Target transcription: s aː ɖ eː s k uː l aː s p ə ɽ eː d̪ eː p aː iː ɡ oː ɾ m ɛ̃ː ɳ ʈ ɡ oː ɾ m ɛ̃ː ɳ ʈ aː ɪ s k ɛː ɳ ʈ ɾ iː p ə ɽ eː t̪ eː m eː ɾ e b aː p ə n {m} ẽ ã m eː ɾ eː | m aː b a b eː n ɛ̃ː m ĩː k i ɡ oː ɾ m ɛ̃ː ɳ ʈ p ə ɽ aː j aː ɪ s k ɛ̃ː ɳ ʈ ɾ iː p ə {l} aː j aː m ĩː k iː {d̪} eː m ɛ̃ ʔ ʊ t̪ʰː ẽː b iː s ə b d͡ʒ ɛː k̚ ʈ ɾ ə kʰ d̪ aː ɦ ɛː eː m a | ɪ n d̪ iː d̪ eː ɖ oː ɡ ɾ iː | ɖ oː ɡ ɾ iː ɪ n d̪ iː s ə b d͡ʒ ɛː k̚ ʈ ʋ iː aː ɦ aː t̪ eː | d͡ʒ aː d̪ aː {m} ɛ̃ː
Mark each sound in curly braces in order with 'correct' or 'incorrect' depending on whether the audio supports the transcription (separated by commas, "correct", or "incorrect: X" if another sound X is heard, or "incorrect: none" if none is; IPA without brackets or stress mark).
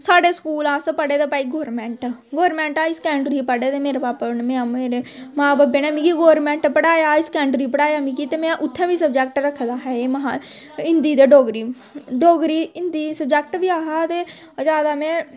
correct, incorrect: ɽ, incorrect: t̪, correct